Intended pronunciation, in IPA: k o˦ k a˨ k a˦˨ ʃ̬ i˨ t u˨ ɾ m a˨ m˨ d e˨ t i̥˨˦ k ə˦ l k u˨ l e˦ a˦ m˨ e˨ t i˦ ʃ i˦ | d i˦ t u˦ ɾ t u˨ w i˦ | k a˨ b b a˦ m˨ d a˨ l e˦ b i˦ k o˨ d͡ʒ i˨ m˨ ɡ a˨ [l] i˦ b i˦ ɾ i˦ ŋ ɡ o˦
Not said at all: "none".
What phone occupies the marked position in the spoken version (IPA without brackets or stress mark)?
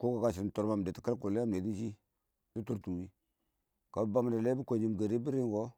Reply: ɾ